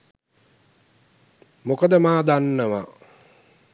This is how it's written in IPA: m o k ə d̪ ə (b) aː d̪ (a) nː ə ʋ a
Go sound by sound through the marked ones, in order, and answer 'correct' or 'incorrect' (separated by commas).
incorrect, correct